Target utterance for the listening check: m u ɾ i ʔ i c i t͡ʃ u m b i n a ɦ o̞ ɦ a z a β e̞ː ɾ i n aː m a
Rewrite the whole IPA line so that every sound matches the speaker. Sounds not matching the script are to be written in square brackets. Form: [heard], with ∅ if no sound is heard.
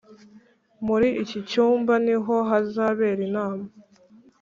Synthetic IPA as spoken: m u ɾ i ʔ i c i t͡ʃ [uː] m b [a] n [i] ɦ o̞ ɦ a z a β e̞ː ɾ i n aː m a